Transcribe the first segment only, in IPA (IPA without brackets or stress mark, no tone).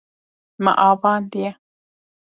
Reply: m